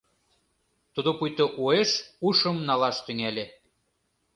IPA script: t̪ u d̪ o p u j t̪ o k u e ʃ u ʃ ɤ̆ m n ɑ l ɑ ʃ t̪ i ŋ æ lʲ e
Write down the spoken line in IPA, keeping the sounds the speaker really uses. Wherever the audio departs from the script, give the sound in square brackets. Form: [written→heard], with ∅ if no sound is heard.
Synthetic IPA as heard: t̪ u d̪ o p u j t̪ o [k→ʔ] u e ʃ u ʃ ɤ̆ m n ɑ l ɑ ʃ t̪ [i→y] ŋ æ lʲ e